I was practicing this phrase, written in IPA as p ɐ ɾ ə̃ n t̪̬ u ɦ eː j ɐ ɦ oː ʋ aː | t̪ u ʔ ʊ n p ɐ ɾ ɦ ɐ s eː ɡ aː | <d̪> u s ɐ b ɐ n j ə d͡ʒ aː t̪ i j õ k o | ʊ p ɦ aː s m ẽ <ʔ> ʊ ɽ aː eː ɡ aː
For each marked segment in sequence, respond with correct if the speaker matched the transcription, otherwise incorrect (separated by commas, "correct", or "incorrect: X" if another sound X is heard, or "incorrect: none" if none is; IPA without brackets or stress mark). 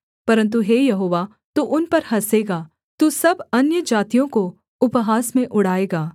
incorrect: t̪, correct